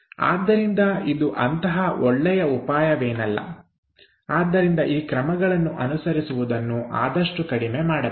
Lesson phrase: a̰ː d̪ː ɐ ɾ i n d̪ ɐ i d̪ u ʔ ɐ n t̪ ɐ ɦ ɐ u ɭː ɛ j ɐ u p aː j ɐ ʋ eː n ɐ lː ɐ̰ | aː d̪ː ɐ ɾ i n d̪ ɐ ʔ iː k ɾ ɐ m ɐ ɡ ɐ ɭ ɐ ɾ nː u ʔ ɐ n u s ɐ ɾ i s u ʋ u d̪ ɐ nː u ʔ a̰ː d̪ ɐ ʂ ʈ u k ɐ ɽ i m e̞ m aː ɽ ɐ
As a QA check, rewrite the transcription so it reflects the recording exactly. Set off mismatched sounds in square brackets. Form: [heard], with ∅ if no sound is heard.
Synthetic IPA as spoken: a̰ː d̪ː ɐ ɾ i n d̪ ɐ i d̪ u ʔ ɐ n t̪ ɐ ɦ ɐ [ɔ] ɭː ɛ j ɐ u p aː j ɐ ʋ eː n ɐ lː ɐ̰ | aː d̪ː ɐ ɾ i n d̪ ɐ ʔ iː k ɾ ɐ m ɐ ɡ ɐ ɭ ɐ [∅] nː u ʔ ɐ n u s ɐ ɾ i s u ʋ u d̪ ɐ nː u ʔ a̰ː d̪ ɐ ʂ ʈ u k ɐ ɽ i m e̞ m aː ɽ ɐ